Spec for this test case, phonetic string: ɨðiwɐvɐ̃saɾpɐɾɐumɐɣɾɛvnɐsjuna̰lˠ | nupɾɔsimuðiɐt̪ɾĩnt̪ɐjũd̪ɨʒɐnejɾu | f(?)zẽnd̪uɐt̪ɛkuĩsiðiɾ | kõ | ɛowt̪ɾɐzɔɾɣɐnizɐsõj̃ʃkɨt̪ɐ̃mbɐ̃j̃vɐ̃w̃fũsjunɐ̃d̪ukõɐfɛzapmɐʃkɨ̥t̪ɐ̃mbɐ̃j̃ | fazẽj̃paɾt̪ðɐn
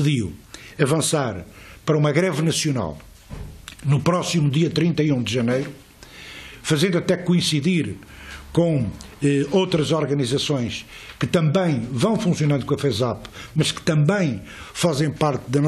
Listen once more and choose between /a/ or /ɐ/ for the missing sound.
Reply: ɐ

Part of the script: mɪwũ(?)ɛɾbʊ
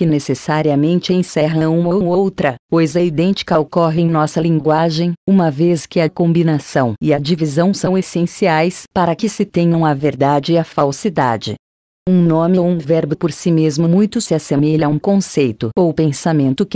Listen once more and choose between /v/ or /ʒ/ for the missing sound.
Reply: v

